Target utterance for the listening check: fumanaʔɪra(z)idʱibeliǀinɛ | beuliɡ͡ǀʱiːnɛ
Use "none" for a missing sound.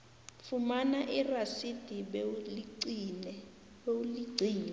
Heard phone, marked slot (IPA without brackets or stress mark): s